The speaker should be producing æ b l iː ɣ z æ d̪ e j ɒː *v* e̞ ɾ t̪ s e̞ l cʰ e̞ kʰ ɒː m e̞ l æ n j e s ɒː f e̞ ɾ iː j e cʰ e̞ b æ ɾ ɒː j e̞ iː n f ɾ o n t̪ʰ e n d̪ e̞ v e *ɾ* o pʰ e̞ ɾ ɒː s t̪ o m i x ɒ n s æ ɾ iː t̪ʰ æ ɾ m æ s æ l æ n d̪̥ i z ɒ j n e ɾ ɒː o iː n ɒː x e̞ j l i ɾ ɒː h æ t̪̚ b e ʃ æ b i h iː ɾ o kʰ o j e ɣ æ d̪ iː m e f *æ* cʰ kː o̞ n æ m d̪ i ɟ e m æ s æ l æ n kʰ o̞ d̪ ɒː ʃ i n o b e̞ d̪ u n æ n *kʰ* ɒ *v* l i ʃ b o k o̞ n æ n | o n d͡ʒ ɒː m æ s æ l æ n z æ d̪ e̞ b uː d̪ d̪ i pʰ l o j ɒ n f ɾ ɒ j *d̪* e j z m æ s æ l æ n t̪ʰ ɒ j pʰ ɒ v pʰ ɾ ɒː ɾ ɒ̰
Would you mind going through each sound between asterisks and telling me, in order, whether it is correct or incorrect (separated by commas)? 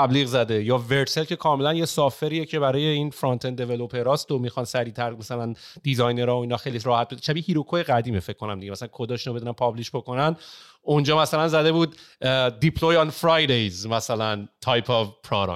correct, incorrect, incorrect, incorrect, incorrect, correct